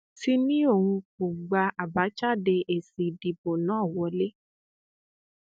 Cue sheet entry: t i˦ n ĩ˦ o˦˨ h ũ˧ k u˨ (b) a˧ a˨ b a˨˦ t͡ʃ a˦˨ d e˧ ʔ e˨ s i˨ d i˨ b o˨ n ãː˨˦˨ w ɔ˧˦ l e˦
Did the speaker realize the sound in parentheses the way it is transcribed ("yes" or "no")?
no